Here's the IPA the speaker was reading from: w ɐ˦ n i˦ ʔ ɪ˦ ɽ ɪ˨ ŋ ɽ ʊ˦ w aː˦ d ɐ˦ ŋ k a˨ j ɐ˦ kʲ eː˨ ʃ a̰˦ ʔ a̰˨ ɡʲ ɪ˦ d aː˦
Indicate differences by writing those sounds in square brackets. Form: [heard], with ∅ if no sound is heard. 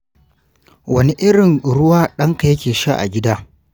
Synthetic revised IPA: w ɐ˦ n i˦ ʔ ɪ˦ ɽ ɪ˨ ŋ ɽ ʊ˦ w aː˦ [ɗ] ɐ˦ ŋ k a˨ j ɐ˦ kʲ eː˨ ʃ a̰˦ ʔ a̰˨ ɡʲ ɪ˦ d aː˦